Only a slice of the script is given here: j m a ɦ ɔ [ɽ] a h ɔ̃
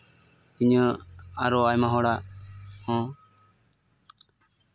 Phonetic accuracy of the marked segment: correct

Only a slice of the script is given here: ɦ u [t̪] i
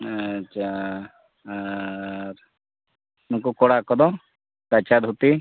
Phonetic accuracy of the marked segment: correct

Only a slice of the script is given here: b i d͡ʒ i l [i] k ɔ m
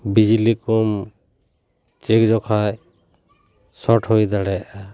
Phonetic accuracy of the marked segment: correct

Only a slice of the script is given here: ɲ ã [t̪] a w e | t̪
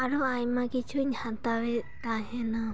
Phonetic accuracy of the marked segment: correct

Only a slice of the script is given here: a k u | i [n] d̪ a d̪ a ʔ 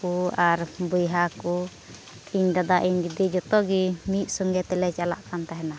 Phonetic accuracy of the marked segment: incorrect: ɲ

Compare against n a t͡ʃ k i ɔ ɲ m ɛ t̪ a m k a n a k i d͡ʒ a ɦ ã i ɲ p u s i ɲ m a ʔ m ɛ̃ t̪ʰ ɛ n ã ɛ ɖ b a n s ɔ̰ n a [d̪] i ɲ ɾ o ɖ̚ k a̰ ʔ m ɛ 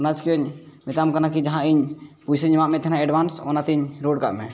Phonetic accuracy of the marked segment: incorrect: t̪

